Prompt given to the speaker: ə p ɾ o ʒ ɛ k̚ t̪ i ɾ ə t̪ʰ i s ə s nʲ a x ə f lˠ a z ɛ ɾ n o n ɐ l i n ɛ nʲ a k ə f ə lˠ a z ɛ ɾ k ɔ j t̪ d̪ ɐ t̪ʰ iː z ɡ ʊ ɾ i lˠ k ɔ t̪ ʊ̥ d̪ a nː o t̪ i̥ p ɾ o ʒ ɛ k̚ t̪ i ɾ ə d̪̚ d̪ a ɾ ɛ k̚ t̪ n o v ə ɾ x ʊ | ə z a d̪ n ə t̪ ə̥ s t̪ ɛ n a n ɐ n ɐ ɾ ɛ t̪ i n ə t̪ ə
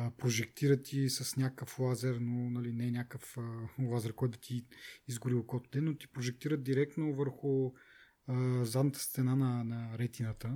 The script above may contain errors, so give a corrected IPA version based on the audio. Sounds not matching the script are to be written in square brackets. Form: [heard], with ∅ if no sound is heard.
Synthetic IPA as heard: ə p ɾ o ʒ ɛ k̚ t̪ i ɾ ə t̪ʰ i s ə s nʲ a [k] ə f lˠ a z ɛ ɾ n o n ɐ l i n ɛ nʲ a k ə f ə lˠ a z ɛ ɾ k ɔ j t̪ d̪ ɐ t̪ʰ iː z ɡ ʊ ɾ i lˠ k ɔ t̪ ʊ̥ d̪ [ɛ] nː o t̪ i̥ p ɾ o ʒ ɛ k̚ t̪ i ɾ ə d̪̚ d̪ [i] ɾ ɛ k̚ t̪ n o v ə ɾ x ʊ | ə z a d̪ n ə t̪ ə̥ s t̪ ɛ n a n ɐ n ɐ ɾ ɛ t̪ i n ə t̪ ə